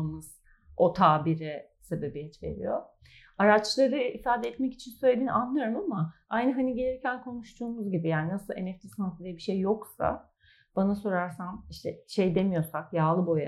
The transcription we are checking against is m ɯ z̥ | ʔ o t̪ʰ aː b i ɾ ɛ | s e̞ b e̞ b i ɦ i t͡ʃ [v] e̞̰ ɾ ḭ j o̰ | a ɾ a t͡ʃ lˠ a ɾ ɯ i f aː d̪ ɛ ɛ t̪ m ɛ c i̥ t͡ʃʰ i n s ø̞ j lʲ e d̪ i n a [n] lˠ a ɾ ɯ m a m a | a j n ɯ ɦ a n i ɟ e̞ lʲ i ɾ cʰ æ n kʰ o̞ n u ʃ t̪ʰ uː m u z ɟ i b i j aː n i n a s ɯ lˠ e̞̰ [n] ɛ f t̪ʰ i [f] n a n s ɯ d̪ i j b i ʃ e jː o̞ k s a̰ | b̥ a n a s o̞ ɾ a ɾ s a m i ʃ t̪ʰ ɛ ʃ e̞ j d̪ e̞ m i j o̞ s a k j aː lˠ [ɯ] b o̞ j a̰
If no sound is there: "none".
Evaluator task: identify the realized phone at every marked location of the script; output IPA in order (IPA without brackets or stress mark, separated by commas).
v, n, n, s, ɯ